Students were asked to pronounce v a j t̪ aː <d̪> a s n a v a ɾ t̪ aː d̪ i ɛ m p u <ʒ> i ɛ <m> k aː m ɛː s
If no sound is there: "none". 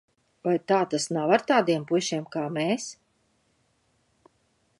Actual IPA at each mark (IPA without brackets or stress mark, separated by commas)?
t̪, ʃ, m